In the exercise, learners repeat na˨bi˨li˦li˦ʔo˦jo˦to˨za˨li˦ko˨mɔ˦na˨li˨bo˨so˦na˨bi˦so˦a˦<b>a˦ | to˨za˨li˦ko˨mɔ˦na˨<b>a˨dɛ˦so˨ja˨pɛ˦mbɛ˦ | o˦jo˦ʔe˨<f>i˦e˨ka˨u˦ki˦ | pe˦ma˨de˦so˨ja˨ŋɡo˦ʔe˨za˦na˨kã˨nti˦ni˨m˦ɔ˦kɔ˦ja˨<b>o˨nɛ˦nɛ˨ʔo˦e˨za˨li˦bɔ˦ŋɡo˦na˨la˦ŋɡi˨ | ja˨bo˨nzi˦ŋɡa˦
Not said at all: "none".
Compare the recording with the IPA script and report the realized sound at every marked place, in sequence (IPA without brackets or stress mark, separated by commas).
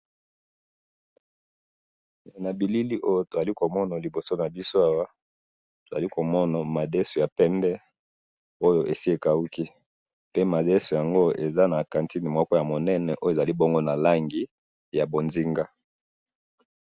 w, m, s, m